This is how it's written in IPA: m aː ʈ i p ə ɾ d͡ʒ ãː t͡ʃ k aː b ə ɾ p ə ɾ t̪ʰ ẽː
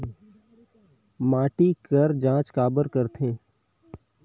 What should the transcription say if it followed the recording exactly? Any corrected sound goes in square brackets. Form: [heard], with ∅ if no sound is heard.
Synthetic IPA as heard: m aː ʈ i [k] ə ɾ d͡ʒ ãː t͡ʃ k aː b ə ɾ [k] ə ɾ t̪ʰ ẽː

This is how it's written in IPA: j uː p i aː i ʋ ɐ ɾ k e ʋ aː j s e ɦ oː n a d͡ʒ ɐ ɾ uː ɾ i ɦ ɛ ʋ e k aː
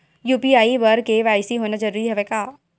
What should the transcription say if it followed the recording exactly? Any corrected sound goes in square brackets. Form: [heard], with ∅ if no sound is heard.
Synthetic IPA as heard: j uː p i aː i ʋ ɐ ɾ k e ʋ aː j s [i] ɦ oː n a d͡ʒ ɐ ɾ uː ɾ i ɦ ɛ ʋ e k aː

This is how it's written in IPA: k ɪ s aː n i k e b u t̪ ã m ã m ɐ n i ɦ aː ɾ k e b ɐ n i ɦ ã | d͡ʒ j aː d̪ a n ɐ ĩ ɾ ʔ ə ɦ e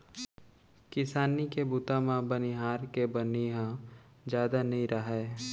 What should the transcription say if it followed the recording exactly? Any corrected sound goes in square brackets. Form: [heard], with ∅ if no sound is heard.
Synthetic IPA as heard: k ɪ s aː n i k e b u t̪ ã m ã [b] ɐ n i ɦ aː ɾ k e b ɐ n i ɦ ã | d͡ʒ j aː d̪ a n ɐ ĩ ɾ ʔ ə ɦ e

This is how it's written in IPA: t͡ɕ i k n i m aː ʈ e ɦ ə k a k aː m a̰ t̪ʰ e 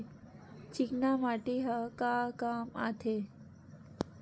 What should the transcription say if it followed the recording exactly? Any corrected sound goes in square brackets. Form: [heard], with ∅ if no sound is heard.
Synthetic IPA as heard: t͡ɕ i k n [a] m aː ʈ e ɦ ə k a k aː m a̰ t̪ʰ e

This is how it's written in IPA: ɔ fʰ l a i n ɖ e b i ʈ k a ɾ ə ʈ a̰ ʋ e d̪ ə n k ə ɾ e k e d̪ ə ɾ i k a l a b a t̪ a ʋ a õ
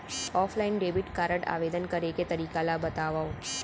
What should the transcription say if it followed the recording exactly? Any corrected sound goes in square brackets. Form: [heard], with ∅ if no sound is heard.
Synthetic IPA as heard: ɔ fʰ l a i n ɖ e b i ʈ k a ɾ ə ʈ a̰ ʋ e d̪ ə n k ə ɾ e k e [t̪] ə ɾ i k a l a b [ə] t̪ a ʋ a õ

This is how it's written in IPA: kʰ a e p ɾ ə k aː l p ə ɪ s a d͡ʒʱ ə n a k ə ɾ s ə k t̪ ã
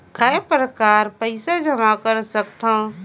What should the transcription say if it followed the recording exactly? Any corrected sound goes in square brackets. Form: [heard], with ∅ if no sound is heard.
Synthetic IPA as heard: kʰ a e p ɾ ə k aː [ɾ] p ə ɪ s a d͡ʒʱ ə [m] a k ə ɾ s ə k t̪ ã

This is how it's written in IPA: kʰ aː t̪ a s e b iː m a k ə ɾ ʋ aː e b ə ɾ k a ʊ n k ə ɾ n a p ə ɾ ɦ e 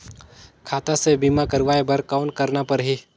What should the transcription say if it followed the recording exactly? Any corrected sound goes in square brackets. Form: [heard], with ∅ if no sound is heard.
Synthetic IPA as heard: kʰ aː t̪ a s e b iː m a k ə ɾ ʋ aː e b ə ɾ k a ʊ n k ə ɾ n a p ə ɾ ɦ [i]

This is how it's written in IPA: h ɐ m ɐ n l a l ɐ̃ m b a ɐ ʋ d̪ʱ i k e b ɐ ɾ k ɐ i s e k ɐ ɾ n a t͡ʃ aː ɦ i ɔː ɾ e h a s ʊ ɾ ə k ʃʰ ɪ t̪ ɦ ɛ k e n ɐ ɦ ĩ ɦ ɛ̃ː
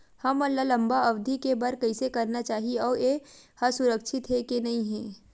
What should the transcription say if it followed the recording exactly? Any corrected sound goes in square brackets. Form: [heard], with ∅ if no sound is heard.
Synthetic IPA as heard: h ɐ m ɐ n l a l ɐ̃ m b a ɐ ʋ d̪ʱ i k e b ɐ ɾ k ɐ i s e k ɐ ɾ n a t͡ʃ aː ɦ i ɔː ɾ e h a s ʊ ɾ ə k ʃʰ ɪ t̪ ɦ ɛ k e n ɐ ɦ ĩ ɦ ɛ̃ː

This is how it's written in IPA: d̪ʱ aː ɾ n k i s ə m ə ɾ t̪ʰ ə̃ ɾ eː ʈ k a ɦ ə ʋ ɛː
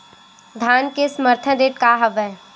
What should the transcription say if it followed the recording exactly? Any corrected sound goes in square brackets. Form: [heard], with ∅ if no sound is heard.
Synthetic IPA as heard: d̪ʱ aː [∅] n k [e] s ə m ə ɾ t̪ʰ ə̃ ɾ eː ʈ k a ɦ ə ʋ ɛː

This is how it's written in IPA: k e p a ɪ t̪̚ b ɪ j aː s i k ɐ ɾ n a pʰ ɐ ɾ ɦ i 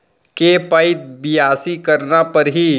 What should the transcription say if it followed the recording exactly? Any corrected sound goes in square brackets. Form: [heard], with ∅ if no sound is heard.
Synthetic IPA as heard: k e p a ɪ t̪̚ b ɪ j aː s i k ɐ ɾ n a [p] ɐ ɾ ɦ i

